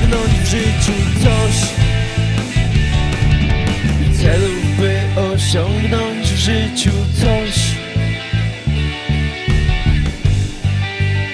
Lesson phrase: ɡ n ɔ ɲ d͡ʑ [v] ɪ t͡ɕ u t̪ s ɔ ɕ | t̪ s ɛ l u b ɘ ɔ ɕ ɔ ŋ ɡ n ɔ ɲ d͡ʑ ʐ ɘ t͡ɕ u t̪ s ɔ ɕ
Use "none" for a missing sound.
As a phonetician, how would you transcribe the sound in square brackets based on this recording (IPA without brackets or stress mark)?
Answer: ʐ